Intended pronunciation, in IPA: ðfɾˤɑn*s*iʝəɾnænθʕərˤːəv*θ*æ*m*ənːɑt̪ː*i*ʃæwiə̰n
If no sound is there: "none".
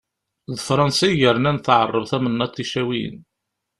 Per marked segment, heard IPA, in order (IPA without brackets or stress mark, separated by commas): s, θ, m, i